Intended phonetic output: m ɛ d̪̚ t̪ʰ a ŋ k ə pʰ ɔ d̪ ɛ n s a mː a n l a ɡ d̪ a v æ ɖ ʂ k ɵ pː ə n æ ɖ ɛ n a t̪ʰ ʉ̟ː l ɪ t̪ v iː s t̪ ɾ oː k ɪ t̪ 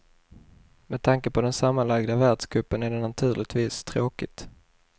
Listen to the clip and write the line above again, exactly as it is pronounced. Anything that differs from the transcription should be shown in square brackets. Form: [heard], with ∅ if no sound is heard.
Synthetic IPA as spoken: m ɛ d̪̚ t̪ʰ a ŋ k ə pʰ ɔ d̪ ɛ n s a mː a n l a ɡ d̪ a v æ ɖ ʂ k ɵ pː ə n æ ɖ ɛ n a t̪ʰ ʉ̟ː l ɪ t̪ v iː s [t̪ʰ] ɾ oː k ɪ t̪